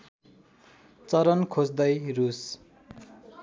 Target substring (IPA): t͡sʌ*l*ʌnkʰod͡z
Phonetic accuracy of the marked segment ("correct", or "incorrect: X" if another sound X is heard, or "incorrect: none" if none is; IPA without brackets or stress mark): incorrect: ɾ